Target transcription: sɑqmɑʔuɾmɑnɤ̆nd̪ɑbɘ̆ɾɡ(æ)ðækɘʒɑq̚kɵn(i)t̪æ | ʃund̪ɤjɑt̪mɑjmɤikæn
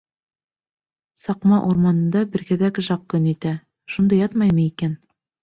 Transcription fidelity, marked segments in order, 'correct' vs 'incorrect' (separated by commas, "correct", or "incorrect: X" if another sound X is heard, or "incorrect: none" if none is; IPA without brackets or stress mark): correct, correct